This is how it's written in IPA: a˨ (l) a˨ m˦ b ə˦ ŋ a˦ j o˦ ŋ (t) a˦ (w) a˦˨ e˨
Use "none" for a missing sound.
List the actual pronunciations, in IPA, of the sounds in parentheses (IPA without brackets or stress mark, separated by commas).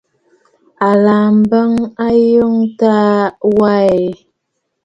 l, t, w